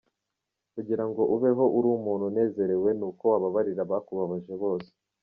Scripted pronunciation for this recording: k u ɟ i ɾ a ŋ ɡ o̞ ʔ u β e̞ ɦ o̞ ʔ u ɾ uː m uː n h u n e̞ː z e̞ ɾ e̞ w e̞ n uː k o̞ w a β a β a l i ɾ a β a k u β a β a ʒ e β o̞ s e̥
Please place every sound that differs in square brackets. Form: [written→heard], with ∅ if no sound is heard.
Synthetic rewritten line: k u ɟ i ɾ a ŋ ɡ o̞ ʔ u β e̞ ɦ o̞ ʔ u ɾ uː m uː n h u n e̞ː z e̞ ɾ e̞ w e̞ n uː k o̞ w a β a β a [l→ɾ] i ɾ a β a k u β a β a ʒ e β o̞ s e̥